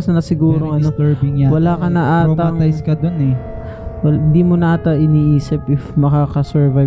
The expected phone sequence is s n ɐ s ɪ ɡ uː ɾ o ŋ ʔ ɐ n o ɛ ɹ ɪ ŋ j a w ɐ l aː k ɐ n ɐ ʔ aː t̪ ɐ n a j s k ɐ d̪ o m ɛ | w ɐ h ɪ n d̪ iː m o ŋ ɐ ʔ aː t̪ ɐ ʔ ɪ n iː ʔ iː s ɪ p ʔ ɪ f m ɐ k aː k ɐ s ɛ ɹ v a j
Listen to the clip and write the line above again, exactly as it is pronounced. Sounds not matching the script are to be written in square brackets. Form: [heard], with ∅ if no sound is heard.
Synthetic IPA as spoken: s n ɐ s ɪ ɡ uː ɾ o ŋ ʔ ɐ n o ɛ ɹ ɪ ŋ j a w ɐ l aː k ɐ n ɐ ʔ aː t̪ ɐ [ŋ] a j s k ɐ d̪ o [n] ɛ | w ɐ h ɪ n d̪ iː m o [n] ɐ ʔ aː t̪ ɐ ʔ ɪ n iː ʔ iː s ɪ p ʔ ɪ f m ɐ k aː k ɐ s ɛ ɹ v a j